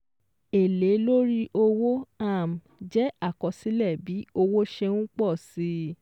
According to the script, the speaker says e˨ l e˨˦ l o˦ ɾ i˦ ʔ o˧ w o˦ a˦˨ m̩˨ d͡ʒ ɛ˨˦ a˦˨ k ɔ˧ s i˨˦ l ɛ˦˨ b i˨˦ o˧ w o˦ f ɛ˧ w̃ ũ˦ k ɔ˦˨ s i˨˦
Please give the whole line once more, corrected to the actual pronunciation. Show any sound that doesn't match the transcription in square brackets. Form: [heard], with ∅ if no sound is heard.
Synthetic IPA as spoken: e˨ l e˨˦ l o˦ ɾ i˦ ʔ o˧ w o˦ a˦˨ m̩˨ d͡ʒ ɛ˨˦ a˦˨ k ɔ˧ s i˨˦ l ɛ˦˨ b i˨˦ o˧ w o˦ [ʃ] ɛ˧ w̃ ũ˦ [k͡p] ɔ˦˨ s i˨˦